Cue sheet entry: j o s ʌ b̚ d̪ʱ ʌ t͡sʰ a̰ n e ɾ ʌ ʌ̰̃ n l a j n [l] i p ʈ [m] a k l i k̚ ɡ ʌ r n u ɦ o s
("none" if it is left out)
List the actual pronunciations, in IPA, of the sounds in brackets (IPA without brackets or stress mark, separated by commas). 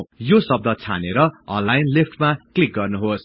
l, m